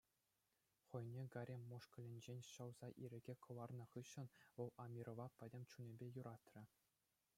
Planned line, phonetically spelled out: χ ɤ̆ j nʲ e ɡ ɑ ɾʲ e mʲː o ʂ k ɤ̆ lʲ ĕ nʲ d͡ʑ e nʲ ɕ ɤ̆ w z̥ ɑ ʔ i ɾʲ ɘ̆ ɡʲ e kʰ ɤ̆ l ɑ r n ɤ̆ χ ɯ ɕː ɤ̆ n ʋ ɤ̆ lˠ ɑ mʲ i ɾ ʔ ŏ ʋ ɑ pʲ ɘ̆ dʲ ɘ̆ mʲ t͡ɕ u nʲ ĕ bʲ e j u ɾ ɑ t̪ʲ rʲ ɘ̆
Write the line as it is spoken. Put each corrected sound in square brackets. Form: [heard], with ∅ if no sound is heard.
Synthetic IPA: χ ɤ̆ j nʲ e ɡ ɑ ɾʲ e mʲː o ʂ k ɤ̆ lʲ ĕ nʲ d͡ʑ e nʲ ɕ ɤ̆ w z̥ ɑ ʔ i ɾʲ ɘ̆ ɡʲ e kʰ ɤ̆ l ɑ r n ɤ̆ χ ɯ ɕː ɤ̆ n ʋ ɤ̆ lˠ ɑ mʲ i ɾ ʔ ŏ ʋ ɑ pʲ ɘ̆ dʲ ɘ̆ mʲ t͡ɕ u nʲ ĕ bʲ e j u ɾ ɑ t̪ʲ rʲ ɘ̆